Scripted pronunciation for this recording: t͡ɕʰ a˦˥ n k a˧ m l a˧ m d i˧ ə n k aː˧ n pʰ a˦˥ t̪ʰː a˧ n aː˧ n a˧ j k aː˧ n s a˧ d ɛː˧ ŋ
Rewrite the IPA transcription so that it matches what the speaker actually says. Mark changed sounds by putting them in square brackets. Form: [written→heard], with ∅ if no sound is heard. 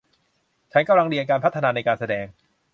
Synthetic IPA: t͡ɕʰ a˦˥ n k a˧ m l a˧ [m→ŋ] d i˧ ə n k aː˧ n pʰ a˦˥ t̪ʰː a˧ n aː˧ n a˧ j k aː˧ n s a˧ d ɛː˧ ŋ

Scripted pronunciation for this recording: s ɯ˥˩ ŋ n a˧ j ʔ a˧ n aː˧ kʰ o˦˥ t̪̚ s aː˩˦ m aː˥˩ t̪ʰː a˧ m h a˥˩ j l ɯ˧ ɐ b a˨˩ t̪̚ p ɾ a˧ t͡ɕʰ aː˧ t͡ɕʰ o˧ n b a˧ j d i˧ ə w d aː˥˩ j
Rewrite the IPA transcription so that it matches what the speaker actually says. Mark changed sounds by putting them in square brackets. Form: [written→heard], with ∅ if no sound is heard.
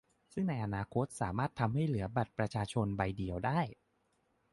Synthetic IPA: s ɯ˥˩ ŋ n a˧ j ʔ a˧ n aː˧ kʰ o˦˥ t̪̚ s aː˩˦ m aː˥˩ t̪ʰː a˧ m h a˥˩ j l [ɯ˧→ɯ˩˦] ɐ b a˨˩ t̪̚ p ɾ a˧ t͡ɕʰ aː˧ t͡ɕʰ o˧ n b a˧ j d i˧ ə w d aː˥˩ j

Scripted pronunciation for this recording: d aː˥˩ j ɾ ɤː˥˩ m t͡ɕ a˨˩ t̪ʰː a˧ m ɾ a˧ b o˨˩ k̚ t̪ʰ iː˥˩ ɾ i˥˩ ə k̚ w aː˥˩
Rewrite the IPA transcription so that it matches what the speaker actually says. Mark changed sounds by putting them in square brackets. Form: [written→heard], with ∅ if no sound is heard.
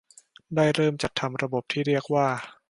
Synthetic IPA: d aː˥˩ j ɾ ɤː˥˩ m t͡ɕ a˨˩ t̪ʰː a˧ m ɾ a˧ b o˨˩ [k̚→p̚] t̪ʰ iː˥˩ ɾ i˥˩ ə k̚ w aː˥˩

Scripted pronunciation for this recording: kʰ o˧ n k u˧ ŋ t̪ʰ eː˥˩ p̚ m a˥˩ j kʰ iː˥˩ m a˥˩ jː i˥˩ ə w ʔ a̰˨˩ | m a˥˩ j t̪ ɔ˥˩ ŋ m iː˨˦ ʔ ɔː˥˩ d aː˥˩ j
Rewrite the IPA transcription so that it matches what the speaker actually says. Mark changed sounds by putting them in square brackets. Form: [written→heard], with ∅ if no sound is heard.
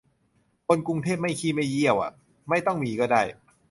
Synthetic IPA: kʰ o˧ n k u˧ ŋ t̪ʰ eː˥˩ p̚ m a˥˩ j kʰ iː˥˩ m a˥˩ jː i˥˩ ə w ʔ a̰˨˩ | m a˥˩ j t̪ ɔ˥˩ ŋ m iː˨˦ [ʔ→k] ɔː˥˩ d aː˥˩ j

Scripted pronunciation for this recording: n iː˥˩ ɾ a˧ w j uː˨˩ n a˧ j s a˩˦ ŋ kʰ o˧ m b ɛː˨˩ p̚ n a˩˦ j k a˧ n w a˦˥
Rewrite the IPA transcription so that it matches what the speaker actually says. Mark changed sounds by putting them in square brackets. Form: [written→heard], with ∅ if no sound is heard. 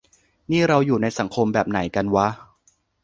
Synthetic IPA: n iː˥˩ ɾ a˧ w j uː˨˩ n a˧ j s a˩˦ ŋ kʰ o˧ m b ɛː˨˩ p̚ n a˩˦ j k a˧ n w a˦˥

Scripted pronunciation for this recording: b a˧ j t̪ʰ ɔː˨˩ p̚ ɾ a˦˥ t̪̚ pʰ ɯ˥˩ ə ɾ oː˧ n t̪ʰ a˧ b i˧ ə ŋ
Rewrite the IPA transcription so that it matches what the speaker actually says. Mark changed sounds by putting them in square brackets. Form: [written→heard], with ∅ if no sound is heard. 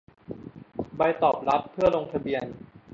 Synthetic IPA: b a˧ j [t̪ʰ→t̪] ɔː˨˩ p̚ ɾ a˦˥ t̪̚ pʰ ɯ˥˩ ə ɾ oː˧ [n→ŋ] t̪ʰ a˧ b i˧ ə [ŋ→n]

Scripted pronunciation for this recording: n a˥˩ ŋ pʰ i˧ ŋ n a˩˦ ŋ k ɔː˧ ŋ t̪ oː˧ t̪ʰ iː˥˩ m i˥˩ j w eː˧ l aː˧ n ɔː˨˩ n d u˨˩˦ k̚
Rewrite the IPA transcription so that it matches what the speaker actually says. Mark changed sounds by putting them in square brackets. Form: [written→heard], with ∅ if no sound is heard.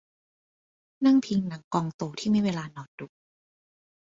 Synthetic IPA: n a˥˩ ŋ pʰ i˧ ŋ n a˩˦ ŋ k ɔː˧ ŋ t̪ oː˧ t̪ʰ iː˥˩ m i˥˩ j w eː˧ l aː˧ n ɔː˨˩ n d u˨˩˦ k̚

